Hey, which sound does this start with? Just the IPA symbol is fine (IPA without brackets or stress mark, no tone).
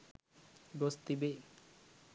ɡ